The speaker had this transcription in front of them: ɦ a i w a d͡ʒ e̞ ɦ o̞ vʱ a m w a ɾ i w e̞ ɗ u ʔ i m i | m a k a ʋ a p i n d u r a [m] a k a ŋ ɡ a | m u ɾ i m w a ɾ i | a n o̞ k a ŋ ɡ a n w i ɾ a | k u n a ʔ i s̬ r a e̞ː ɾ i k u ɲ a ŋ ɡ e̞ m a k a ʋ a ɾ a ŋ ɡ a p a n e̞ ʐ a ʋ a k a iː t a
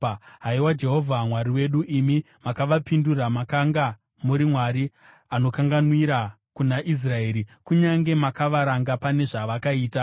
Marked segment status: correct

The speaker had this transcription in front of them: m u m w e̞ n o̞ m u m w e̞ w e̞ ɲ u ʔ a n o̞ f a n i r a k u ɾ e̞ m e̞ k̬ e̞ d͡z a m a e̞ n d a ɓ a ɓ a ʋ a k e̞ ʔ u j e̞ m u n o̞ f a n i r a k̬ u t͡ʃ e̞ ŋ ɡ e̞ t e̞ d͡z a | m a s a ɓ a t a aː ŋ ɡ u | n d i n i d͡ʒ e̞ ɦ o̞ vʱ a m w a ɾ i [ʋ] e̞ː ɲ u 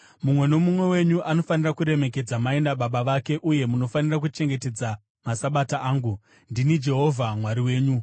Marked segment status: incorrect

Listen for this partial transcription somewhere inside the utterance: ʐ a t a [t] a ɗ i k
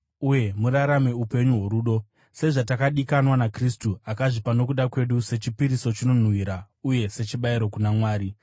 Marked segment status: incorrect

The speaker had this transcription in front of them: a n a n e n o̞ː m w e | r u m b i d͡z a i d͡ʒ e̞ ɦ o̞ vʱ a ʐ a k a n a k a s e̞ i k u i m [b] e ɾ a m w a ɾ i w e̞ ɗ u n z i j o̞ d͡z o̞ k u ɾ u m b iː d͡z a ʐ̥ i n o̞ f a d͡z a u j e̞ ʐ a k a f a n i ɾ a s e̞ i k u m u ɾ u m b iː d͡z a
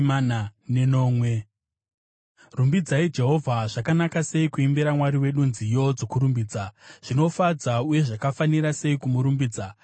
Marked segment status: correct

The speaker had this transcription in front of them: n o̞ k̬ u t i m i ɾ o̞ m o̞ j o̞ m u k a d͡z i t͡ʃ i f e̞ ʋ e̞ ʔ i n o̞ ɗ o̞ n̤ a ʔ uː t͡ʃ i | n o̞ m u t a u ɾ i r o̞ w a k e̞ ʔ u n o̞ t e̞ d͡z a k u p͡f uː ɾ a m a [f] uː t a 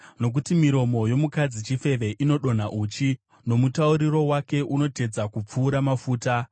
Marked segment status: correct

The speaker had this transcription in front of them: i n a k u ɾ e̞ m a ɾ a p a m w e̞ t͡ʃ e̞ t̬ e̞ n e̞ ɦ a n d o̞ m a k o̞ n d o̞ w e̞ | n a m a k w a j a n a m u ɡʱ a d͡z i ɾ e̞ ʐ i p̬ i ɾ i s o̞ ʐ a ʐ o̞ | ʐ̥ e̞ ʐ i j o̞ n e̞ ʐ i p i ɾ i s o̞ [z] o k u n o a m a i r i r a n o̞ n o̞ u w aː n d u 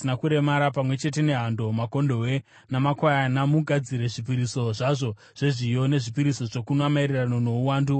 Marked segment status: incorrect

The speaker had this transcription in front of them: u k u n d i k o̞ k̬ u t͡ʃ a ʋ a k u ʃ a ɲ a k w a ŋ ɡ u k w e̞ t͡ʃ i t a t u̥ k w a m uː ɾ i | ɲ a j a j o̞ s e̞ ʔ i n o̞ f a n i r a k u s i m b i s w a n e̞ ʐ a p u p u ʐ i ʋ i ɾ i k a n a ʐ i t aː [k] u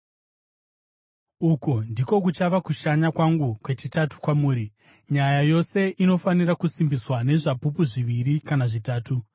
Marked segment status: incorrect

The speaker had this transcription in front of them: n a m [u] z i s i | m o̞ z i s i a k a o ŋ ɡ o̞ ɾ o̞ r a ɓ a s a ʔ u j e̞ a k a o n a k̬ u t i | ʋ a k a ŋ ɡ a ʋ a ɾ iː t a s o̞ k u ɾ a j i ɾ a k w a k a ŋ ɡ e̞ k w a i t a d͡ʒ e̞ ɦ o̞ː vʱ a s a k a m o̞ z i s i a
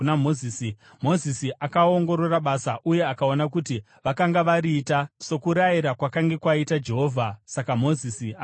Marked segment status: incorrect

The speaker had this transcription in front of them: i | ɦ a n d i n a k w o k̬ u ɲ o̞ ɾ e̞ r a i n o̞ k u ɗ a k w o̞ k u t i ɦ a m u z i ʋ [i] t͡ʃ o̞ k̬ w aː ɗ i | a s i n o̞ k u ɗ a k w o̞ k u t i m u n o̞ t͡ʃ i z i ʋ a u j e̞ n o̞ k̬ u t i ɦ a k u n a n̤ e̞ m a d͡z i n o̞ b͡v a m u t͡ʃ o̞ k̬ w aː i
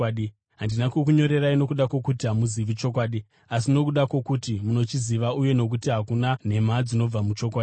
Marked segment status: correct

